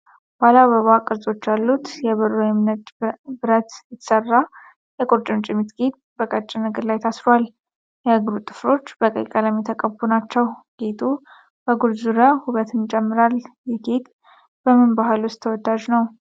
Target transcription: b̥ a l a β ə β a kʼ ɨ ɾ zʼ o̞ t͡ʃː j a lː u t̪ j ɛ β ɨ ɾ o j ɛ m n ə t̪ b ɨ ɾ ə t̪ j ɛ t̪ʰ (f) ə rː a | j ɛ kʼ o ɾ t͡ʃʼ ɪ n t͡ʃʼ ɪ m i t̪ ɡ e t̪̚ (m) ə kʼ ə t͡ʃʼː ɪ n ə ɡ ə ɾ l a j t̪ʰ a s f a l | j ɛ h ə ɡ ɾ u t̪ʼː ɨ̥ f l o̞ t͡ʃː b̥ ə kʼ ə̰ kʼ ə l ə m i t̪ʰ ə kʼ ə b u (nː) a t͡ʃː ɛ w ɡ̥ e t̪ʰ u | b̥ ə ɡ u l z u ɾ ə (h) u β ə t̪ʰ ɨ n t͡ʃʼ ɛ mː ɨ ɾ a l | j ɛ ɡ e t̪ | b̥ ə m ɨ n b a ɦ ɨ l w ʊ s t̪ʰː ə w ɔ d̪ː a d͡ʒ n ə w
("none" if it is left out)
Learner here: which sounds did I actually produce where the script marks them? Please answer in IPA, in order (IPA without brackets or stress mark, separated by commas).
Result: s, b, n, h